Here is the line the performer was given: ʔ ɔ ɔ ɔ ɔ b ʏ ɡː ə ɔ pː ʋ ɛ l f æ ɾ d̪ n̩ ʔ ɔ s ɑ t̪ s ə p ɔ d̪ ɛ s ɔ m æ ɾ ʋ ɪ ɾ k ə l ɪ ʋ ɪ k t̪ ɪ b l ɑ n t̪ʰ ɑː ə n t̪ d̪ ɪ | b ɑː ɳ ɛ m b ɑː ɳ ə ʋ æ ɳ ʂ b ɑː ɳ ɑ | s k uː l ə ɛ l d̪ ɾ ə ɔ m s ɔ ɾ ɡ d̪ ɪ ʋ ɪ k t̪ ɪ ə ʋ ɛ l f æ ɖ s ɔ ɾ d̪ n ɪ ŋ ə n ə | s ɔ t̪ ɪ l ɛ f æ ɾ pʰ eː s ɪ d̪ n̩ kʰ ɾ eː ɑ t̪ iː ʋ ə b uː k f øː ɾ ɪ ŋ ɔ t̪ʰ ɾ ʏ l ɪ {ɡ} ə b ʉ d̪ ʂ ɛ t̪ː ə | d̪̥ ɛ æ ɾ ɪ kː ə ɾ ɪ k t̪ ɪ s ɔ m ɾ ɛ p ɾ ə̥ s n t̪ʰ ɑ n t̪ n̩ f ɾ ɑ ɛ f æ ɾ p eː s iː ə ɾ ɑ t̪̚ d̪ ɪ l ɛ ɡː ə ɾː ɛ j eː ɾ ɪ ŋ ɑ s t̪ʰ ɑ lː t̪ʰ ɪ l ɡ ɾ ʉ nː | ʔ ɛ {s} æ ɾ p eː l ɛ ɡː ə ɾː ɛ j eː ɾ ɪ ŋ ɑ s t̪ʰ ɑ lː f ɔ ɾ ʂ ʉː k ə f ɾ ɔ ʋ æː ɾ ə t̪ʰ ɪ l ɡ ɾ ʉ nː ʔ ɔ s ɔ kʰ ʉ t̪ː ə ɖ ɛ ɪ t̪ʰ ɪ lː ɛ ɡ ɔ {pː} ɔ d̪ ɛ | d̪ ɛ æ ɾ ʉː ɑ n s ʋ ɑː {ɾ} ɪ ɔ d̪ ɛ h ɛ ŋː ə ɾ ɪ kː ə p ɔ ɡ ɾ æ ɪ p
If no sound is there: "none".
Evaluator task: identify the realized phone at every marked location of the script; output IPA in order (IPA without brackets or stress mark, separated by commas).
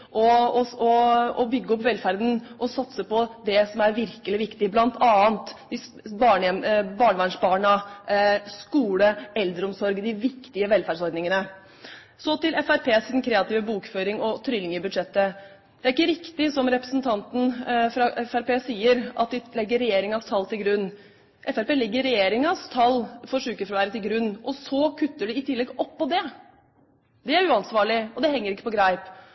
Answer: ŋ, f, pː, ɭ